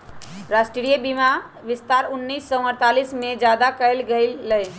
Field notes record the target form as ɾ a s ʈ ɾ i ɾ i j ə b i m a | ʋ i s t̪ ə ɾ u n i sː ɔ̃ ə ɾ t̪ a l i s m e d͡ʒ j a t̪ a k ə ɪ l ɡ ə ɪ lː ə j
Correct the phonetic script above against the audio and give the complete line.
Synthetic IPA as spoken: ɾ a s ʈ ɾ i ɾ i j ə b i m a | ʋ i s t̪ a ɾ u nː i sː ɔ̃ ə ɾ t̪ a l i s m e d͡ʒ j a d̪ a k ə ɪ l ɡ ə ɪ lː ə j